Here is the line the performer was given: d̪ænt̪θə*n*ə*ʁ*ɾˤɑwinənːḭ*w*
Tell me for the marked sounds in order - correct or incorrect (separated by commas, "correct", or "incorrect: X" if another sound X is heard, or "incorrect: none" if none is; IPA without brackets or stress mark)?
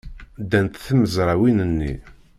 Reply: incorrect: m, incorrect: z, incorrect: none